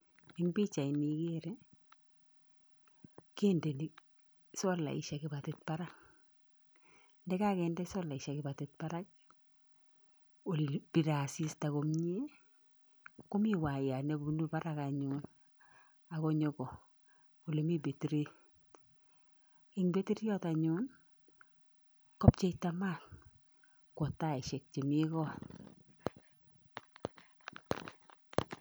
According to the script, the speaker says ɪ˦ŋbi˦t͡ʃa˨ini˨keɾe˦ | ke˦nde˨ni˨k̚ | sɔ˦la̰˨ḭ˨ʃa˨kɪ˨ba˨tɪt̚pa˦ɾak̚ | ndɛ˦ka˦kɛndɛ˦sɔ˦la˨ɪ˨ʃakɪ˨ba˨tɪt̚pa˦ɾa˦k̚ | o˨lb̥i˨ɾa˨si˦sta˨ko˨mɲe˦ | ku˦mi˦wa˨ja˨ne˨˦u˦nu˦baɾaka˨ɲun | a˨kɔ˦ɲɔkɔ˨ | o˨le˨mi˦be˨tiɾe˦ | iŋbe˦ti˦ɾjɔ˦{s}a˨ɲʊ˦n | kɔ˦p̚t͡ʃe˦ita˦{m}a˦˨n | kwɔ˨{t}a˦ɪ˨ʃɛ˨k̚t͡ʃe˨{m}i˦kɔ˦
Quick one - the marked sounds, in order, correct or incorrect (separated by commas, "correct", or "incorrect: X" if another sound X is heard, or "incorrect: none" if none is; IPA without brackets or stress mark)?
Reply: incorrect: t, correct, correct, correct